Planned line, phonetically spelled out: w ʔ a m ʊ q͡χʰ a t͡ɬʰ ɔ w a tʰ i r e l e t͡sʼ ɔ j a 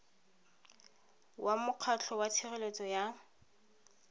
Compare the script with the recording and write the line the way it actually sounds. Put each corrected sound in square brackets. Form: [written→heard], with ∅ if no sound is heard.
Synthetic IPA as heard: w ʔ a m ʊ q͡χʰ a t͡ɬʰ ɔ w a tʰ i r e l e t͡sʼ ɔ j a